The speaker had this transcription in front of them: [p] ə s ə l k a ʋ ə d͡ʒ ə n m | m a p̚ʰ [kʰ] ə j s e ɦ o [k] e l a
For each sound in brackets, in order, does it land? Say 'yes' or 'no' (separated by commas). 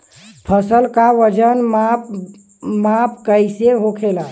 no, no, no